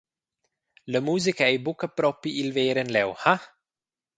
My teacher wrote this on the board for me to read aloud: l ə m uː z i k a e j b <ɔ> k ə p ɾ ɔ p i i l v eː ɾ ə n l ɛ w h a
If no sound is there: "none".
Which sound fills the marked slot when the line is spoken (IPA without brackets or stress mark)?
u